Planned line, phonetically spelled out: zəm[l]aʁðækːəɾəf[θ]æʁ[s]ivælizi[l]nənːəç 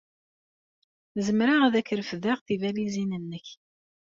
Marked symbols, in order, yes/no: no, no, no, no

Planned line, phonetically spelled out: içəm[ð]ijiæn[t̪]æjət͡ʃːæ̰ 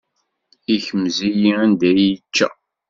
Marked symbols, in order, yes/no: no, no

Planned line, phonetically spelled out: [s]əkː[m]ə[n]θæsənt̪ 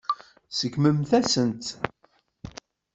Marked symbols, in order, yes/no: yes, yes, no

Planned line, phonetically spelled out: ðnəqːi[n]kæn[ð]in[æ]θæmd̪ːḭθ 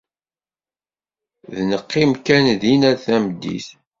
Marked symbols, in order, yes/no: no, yes, yes

